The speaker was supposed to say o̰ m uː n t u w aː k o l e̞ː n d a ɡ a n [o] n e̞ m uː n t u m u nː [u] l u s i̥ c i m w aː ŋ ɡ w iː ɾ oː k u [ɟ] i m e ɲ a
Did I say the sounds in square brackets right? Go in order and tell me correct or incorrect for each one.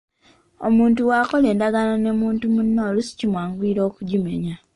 correct, incorrect: o, correct

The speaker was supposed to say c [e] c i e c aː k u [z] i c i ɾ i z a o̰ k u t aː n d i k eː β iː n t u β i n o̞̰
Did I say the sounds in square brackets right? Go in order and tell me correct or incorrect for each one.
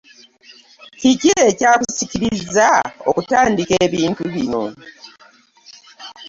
incorrect: i, incorrect: s

